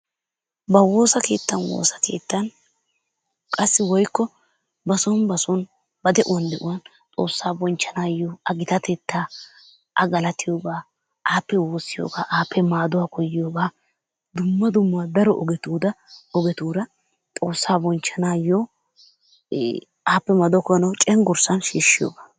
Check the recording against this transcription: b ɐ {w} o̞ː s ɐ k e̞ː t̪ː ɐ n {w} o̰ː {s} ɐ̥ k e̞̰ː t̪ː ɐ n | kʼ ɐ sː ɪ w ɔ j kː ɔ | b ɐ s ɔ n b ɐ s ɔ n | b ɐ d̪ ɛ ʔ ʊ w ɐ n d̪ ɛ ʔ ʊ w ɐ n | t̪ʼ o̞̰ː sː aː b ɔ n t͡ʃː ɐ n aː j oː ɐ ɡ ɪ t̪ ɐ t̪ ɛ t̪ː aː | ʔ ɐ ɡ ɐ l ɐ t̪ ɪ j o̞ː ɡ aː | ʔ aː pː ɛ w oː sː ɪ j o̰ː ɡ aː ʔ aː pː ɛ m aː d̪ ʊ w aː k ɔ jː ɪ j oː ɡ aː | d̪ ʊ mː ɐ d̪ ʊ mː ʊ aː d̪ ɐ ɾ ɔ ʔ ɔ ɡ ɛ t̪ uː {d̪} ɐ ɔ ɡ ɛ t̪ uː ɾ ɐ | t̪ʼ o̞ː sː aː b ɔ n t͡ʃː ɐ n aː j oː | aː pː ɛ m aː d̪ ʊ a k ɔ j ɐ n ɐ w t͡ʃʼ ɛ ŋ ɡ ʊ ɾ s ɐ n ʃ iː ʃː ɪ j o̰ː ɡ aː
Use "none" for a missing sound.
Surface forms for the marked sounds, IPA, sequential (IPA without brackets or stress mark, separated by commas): w, w, s, d̪